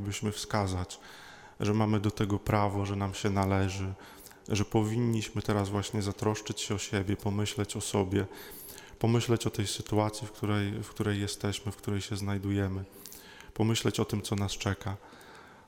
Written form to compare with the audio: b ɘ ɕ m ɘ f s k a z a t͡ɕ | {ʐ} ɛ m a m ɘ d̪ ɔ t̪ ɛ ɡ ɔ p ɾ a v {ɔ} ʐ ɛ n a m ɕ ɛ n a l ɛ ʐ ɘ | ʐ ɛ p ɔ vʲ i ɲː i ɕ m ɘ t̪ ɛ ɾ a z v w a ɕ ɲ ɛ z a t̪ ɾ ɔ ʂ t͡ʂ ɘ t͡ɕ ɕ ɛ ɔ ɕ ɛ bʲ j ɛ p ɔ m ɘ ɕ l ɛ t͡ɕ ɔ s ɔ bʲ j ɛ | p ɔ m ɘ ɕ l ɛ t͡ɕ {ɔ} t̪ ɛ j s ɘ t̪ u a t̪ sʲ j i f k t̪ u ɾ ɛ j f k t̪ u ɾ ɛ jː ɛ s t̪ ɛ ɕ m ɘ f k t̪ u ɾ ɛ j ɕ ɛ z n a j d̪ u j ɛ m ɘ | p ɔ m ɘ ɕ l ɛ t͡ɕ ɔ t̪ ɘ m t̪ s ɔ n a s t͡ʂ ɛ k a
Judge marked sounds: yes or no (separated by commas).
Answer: yes, yes, yes